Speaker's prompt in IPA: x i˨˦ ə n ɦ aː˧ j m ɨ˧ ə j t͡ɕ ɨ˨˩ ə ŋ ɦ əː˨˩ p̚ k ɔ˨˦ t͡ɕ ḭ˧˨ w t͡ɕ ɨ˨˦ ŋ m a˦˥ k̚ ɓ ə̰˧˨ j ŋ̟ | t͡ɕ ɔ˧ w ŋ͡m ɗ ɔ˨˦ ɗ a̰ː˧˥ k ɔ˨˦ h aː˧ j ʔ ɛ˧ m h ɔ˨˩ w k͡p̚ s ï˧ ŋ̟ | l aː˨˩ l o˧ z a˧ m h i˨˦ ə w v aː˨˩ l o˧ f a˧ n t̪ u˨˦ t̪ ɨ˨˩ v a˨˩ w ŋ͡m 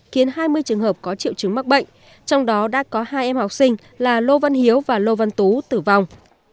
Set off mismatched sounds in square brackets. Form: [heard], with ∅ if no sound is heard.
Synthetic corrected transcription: x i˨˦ ə n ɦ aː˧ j m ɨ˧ ə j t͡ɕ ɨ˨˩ ə ŋ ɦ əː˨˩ p̚ k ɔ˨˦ t͡ɕ ḭ˧˨ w t͡ɕ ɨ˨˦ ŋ m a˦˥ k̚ ɓ ə̰˧˨ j ŋ̟ | t͡ɕ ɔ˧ w ŋ͡m ɗ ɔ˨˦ ɗ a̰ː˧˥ k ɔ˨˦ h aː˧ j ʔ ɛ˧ m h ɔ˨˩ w k͡p̚ s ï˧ ŋ̟ | l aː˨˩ l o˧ [v] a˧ [n] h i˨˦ ə w v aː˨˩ l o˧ [v] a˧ n t̪ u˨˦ t̪ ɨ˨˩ v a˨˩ w ŋ͡m